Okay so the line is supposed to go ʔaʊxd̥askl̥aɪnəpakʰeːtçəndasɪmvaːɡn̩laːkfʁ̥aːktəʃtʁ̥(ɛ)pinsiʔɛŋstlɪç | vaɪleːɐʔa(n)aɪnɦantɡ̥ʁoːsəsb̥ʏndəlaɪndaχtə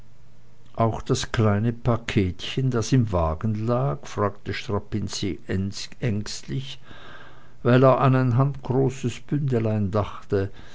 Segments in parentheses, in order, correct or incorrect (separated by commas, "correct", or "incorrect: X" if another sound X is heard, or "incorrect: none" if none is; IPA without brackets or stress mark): incorrect: a, correct